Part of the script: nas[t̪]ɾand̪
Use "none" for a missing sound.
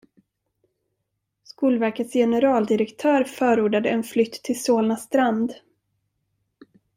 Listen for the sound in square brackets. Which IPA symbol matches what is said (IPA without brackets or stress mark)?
t̪